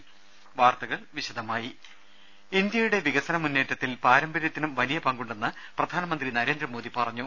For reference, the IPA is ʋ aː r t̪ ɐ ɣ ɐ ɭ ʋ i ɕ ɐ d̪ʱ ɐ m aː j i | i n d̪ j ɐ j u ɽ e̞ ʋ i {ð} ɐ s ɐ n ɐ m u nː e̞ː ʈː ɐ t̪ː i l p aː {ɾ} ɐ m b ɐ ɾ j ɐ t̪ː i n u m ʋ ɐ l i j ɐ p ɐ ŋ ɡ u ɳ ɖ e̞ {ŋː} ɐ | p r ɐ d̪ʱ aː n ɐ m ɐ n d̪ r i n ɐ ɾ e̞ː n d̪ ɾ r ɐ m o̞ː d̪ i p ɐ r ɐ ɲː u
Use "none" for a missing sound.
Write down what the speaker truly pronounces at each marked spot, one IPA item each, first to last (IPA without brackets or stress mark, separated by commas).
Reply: ɣ, ɾ, nː